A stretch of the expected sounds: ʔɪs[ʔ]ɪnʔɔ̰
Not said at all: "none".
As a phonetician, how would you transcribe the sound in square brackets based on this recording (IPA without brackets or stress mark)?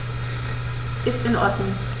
t